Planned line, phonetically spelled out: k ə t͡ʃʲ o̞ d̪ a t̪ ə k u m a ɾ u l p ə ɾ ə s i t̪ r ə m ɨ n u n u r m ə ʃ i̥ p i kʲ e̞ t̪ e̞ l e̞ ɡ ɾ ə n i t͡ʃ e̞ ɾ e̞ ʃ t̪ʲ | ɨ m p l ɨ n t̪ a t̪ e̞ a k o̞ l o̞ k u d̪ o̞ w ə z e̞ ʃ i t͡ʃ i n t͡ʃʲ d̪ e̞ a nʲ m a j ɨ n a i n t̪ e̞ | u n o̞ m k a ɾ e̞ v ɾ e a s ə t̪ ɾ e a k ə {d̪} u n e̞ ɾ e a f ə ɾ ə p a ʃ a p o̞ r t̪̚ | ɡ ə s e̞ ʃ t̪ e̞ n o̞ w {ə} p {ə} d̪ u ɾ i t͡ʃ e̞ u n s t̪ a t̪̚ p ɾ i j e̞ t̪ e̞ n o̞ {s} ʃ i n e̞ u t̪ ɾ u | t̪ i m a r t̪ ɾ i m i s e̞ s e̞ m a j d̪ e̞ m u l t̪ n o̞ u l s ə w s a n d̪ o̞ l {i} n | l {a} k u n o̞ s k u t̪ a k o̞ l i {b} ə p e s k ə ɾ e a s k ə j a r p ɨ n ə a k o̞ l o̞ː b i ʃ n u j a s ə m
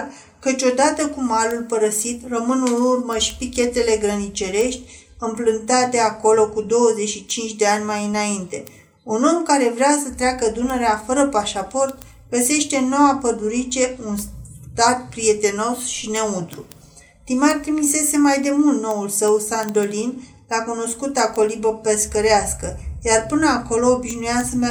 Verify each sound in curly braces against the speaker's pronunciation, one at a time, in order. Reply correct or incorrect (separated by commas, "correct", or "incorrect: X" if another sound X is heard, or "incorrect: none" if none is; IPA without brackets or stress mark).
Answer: correct, incorrect: a, correct, correct, correct, correct, correct